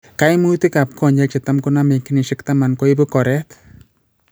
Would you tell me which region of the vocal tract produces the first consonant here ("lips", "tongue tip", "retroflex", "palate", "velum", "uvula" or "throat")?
velum